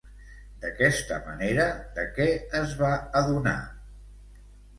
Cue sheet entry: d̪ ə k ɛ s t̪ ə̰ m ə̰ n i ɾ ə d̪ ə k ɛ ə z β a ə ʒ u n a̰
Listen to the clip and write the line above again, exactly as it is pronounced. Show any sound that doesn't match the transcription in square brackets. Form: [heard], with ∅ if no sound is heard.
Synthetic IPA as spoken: d̪ ə k ɛ s t̪ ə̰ m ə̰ n [e] ɾ ə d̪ ə k ɛ ə z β a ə [ð] u n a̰